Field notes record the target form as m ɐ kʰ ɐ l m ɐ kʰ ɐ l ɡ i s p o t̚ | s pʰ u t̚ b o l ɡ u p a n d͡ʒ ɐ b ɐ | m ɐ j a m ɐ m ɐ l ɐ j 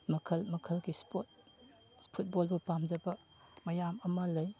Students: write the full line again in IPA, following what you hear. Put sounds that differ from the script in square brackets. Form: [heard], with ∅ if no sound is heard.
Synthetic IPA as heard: m ɐ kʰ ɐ l m ɐ kʰ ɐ l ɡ i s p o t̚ | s pʰ u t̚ b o l [b] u p a [m] d͡ʒ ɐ b ɐ | m ɐ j a m ɐ m ɐ l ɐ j